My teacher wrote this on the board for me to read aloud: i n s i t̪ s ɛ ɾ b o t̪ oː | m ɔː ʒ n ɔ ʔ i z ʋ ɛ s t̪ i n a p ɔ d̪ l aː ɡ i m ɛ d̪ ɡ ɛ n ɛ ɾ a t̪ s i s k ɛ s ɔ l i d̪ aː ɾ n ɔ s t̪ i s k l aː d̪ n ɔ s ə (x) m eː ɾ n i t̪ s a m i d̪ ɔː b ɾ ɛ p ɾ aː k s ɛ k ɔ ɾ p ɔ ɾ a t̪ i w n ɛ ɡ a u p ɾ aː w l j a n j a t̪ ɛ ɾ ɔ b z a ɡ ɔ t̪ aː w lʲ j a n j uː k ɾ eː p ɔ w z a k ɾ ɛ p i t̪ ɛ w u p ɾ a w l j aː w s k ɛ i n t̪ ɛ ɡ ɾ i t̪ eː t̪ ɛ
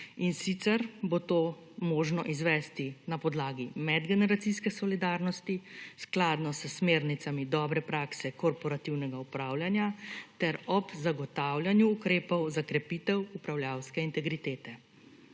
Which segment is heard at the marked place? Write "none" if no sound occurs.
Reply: s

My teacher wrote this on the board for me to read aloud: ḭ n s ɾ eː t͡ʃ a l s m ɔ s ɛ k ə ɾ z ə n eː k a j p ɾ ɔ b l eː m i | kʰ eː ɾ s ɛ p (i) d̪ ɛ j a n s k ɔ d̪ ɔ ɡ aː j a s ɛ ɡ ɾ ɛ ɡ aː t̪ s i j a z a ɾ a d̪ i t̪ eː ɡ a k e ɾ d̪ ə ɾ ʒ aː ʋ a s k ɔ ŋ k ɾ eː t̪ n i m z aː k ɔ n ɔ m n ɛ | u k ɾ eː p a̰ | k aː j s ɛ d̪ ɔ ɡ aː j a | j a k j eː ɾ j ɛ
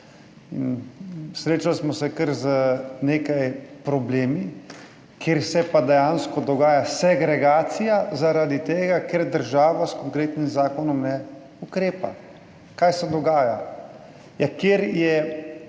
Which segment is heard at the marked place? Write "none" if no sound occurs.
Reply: a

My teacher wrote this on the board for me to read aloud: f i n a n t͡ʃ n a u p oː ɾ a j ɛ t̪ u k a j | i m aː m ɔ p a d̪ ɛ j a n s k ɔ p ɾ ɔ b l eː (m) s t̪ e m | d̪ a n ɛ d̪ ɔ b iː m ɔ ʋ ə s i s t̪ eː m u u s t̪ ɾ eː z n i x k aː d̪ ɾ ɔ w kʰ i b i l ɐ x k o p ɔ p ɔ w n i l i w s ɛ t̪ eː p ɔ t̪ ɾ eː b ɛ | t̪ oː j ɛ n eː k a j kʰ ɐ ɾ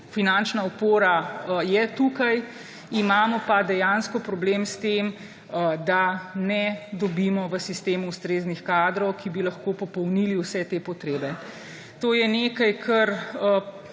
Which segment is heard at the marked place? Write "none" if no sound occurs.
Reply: m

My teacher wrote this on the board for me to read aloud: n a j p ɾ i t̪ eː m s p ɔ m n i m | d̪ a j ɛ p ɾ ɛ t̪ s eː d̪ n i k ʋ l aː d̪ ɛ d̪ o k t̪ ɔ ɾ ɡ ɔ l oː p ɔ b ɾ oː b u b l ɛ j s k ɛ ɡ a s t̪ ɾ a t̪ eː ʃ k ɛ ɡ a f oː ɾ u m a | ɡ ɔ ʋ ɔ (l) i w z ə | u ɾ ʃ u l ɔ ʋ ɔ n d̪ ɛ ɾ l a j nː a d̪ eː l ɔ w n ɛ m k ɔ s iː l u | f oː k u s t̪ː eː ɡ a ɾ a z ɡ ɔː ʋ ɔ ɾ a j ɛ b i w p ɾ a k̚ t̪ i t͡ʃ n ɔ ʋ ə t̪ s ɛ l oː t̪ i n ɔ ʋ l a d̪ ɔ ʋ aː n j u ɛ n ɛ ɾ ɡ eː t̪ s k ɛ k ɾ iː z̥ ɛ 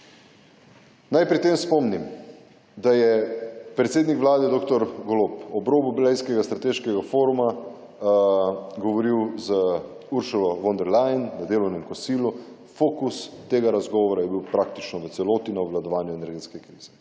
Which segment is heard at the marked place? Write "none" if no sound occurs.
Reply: ɾ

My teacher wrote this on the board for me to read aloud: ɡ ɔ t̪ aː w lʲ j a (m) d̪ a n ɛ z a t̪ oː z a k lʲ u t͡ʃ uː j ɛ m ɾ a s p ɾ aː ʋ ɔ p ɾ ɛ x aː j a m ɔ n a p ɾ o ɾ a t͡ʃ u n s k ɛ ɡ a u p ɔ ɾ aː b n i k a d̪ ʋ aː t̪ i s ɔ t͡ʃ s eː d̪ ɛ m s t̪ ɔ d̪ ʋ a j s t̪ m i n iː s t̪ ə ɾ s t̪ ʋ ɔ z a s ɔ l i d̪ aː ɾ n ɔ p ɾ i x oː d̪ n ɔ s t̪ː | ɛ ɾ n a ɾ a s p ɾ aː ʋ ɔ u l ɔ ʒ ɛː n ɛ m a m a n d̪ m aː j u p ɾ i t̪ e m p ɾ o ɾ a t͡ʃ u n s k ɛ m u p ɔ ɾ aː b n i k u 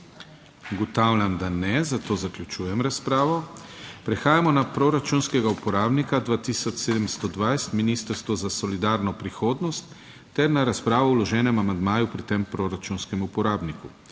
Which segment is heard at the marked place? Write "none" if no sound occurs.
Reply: m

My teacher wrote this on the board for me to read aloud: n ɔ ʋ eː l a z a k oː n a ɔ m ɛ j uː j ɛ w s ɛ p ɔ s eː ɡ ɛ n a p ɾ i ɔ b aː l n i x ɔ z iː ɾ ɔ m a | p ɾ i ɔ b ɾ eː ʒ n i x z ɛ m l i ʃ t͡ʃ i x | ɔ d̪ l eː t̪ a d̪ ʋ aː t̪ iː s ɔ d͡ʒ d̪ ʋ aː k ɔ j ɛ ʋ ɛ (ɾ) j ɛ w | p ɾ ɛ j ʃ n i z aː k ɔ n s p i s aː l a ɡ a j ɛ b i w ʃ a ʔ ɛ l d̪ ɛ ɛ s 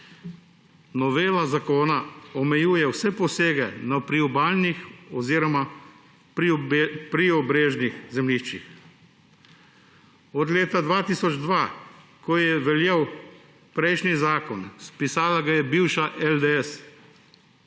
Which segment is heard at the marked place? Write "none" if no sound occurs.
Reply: l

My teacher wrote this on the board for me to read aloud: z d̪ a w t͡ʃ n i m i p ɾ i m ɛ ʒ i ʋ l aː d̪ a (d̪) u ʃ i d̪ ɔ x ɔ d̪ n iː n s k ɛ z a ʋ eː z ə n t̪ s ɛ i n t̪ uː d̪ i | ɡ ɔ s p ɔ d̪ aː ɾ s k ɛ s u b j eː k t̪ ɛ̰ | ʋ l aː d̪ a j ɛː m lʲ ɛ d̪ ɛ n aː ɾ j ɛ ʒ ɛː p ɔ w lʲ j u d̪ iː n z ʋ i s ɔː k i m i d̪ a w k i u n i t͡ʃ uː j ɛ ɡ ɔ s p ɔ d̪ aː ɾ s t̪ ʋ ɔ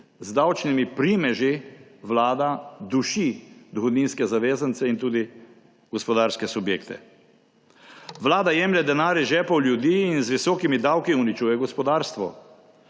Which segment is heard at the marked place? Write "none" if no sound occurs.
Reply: d̪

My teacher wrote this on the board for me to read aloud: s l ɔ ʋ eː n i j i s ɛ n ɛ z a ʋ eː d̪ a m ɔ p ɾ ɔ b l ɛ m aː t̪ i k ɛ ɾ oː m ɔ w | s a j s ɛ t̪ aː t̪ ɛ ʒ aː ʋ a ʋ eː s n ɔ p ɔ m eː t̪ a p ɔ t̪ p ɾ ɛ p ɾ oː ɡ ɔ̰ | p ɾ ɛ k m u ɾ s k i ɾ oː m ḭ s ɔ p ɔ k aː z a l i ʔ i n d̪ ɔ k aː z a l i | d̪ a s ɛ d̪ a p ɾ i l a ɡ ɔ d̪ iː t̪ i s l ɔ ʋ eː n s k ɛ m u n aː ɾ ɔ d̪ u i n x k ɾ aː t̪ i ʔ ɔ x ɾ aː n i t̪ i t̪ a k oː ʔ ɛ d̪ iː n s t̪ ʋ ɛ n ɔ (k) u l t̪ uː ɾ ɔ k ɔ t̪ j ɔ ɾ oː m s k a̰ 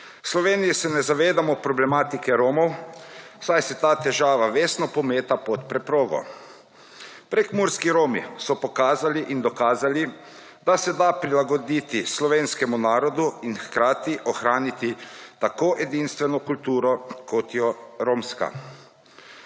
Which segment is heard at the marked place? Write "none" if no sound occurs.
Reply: k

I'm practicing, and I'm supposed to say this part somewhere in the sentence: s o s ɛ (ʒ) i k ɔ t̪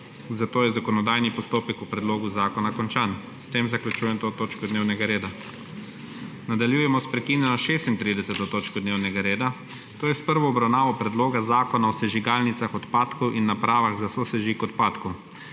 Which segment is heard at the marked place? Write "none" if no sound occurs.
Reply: ʒ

